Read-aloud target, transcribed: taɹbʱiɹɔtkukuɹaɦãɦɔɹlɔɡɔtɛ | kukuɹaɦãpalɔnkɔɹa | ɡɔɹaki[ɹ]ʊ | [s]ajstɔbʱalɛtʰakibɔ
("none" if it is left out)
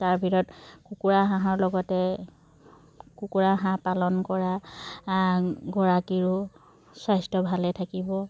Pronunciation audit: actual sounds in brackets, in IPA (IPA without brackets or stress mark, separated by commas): ɹ, s